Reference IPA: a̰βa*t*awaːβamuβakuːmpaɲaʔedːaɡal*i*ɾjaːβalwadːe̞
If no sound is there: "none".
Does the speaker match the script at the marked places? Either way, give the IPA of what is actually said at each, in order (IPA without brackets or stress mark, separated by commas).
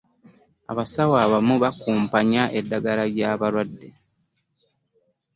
s, a